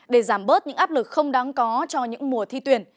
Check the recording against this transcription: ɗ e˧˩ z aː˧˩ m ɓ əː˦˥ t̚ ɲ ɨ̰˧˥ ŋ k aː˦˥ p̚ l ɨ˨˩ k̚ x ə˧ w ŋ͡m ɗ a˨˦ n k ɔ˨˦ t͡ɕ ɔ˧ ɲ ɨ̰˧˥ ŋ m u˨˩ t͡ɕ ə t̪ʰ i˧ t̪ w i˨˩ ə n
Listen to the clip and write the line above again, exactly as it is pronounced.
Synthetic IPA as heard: ɗ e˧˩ z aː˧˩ m ɓ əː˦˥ t̚ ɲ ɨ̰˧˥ ŋ ʔ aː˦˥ p̚ l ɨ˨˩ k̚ x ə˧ w ŋ͡m ɗ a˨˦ ŋ k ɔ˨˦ t͡ɕ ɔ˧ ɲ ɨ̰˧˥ ŋ m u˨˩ ə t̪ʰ i˧ t̪ w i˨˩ ə n